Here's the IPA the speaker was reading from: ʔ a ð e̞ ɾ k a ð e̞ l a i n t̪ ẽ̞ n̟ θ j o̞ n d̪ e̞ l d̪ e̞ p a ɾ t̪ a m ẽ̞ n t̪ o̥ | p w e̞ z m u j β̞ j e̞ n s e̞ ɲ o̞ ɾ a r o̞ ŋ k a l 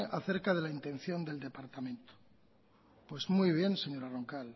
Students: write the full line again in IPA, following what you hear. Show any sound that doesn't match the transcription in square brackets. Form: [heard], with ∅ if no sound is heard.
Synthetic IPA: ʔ a [θ] e̞ ɾ k a ð e̞ l a i n t̪ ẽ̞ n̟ θ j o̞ n d̪ e̞ l d̪ e̞ p a ɾ t̪ a m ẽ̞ n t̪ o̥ | p w e̞ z m u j β̞ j e̞ n s e̞ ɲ o̞ ɾ a r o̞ ŋ k a l